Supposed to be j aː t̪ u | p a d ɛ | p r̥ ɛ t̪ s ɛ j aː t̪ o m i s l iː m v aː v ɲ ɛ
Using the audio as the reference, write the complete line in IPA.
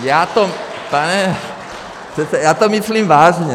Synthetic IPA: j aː t̪ o | p a n ɛ | p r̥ ɛ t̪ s ɛ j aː t̪ o m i s l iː m v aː ʒ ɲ ɛ